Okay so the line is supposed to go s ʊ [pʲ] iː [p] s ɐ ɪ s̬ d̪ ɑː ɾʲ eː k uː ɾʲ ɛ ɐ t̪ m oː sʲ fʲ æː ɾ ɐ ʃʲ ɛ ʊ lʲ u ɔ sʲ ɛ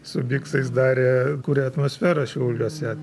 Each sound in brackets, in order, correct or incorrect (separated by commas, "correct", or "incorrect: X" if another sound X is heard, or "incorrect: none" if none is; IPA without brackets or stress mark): incorrect: bʲ, incorrect: k